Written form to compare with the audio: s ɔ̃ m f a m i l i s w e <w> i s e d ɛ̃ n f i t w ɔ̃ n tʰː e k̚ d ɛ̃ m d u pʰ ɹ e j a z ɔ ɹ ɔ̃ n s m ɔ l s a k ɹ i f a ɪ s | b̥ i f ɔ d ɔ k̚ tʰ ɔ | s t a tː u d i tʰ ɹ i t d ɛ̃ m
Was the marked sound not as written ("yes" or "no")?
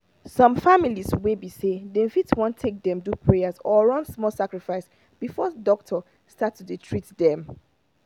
yes